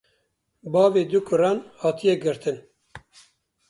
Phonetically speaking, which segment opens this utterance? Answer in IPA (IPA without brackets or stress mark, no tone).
b